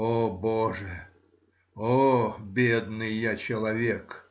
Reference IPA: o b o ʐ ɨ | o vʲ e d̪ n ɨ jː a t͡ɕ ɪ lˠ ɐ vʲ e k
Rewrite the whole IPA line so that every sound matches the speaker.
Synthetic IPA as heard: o b o ʐ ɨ | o bʲ e d̪ n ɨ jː a t͡ɕ ɪ lˠ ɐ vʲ e k